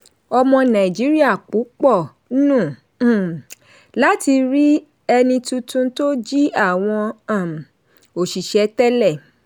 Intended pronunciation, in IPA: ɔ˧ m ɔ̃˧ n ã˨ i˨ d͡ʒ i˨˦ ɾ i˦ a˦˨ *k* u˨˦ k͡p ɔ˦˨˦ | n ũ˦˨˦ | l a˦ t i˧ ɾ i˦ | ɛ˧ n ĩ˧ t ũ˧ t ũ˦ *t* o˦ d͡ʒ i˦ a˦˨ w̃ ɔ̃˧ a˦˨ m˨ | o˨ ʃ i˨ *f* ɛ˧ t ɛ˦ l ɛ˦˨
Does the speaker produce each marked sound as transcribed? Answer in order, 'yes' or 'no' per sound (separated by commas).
no, yes, no